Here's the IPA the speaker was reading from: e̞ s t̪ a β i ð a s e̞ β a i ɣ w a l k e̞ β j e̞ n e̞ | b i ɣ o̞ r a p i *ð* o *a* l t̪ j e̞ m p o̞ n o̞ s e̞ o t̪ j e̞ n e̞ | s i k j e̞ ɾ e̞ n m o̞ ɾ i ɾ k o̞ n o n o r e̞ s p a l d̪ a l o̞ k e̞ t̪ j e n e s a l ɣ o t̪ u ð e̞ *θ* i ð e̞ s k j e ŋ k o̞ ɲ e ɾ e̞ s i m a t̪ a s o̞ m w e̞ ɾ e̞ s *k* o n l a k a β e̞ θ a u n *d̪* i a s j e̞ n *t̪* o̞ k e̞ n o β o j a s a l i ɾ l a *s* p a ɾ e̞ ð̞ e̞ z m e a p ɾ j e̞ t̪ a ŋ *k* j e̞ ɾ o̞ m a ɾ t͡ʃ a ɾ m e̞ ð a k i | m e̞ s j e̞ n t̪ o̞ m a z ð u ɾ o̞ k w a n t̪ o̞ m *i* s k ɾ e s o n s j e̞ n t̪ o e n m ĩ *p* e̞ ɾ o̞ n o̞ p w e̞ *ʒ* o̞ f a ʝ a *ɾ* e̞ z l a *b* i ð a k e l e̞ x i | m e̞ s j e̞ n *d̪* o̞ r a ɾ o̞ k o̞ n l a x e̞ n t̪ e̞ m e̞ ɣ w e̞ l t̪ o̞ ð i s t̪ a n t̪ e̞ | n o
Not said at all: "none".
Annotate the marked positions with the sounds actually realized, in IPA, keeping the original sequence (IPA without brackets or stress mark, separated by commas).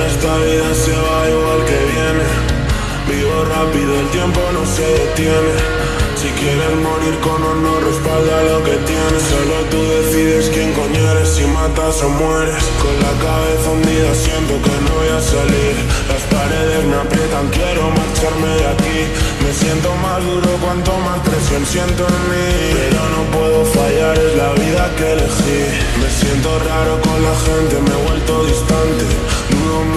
ð, e, θ, k, d̪, t̪, s, k, a, p, ð, ɾ, β, t̪